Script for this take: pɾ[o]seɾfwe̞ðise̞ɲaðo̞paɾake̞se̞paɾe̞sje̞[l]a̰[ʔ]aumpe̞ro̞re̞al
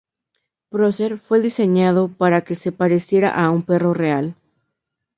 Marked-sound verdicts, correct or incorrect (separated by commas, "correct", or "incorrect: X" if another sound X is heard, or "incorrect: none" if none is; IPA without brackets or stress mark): correct, incorrect: ɾ, correct